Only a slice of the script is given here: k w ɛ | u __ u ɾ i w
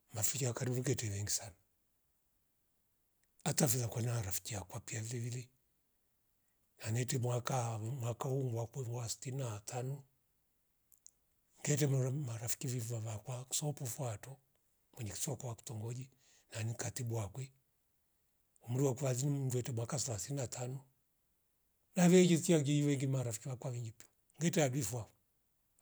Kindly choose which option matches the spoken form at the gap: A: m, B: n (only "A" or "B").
A